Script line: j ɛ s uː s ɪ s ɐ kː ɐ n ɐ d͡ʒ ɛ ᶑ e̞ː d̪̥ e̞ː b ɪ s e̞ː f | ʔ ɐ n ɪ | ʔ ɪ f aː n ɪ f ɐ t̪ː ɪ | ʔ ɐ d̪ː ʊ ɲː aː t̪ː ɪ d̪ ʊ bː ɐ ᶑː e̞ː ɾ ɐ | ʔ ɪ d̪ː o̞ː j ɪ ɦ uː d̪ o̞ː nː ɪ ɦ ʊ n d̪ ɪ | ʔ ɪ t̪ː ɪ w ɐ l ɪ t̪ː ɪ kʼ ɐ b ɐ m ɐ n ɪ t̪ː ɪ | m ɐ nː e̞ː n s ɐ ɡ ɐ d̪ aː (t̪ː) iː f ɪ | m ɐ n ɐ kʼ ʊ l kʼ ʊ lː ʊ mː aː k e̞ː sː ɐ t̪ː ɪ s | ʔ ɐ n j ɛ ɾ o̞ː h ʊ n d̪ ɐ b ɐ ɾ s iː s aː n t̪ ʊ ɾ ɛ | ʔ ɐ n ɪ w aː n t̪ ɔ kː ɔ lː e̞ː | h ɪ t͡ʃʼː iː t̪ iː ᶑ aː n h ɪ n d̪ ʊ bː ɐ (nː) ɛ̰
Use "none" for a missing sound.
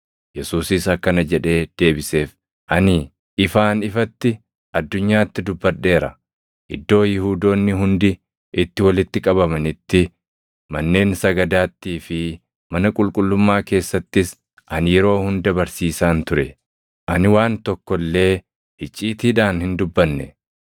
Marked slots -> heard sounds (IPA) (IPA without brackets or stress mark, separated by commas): t̪ː, nː